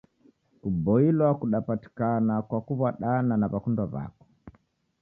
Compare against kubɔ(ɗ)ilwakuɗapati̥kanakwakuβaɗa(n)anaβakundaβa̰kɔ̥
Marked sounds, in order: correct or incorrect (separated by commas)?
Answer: incorrect, correct